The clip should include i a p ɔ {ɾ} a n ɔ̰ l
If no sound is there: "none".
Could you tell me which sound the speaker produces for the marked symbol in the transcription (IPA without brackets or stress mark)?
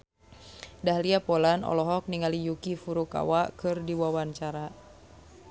l